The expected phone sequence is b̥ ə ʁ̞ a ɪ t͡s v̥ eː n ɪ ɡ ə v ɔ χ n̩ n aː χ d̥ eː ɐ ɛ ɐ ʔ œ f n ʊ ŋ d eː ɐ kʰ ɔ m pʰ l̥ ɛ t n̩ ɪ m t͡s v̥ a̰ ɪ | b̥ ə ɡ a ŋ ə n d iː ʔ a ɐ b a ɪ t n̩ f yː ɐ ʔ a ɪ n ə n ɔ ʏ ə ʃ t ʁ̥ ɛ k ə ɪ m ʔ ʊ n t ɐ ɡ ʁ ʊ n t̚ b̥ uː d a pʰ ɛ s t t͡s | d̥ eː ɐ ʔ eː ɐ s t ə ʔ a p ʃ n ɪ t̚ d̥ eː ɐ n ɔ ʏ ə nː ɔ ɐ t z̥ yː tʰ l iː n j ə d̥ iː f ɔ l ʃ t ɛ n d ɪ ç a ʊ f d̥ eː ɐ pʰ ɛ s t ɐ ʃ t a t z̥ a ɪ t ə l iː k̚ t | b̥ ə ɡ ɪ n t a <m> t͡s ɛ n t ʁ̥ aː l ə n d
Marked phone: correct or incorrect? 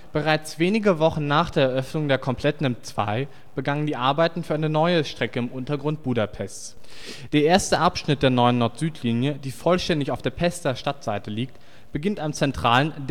correct